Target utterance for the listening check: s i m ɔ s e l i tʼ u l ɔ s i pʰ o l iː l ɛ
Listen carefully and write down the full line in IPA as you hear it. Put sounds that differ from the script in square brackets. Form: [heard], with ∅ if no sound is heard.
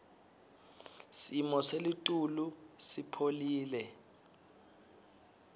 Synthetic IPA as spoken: s i m ɔ s e l i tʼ u l [u] s i pʰ o l iː l ɛ